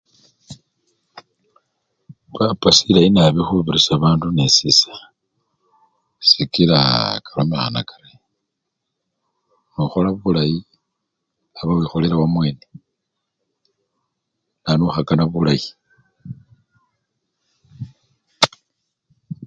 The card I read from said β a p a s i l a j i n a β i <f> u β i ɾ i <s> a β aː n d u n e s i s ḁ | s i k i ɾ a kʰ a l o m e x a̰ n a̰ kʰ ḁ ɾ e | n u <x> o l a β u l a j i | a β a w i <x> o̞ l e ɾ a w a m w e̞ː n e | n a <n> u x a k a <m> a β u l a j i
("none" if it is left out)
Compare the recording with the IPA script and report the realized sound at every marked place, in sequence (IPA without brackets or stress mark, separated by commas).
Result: x, s, x, x, n, n